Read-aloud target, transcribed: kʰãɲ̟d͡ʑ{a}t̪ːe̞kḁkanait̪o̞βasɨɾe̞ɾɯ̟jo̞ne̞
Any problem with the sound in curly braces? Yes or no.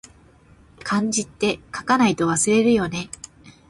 yes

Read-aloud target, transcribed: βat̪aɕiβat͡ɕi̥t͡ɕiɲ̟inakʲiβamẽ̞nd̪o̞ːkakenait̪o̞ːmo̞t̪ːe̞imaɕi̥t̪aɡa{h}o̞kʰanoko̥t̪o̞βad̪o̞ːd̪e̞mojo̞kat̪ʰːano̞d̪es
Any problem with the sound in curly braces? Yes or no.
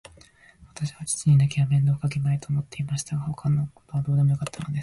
no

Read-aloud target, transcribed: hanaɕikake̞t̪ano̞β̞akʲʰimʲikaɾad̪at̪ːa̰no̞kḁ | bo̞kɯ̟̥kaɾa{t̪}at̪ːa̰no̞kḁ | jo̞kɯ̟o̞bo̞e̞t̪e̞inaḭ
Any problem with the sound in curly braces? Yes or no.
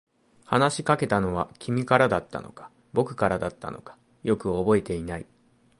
yes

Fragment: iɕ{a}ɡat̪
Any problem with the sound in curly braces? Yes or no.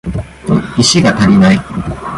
yes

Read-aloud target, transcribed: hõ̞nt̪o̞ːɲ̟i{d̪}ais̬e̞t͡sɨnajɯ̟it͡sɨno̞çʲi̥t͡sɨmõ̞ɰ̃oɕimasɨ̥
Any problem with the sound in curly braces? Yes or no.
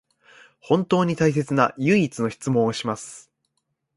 yes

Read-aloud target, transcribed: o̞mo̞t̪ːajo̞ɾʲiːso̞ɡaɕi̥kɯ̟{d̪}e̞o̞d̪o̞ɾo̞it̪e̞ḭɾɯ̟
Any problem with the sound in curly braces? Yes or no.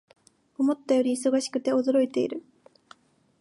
yes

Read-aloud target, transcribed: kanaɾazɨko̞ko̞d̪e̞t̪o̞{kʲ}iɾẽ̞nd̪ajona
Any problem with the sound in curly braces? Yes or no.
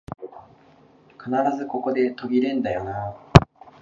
yes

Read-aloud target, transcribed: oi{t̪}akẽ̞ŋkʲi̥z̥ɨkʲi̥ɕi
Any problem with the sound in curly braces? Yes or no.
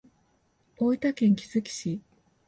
no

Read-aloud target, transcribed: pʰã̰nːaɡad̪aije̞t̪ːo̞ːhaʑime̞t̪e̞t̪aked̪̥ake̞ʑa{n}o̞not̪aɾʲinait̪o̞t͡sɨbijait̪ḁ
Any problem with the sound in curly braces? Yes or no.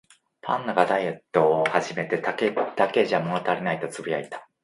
yes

